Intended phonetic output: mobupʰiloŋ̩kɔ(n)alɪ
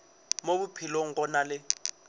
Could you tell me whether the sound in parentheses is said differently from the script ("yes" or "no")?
no